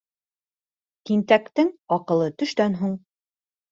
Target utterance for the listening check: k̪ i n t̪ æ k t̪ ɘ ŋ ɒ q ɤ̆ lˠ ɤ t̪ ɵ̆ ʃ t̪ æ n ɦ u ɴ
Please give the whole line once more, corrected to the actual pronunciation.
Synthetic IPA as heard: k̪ i n t̪ æ k t̪ ɘ ŋ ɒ q ɤ̆ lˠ ɤ t̪ ɵ̆ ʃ t̪ æ n ɦ u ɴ